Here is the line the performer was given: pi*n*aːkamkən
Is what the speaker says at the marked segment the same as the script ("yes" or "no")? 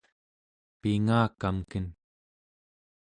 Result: no